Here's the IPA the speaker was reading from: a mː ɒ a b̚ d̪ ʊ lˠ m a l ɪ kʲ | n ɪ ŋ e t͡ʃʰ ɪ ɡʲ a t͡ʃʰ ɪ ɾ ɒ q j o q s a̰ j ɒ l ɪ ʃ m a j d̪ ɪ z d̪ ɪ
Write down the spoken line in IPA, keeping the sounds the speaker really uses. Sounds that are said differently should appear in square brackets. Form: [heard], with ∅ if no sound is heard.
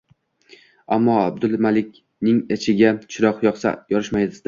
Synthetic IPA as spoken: a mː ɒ a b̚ d̪ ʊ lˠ m a l ɪ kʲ | n ɪ ŋ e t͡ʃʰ ɪ ɡʲ a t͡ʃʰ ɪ ɾ ɒ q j [ɒ] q s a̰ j ɒ [ɾ] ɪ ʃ m a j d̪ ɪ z d̪ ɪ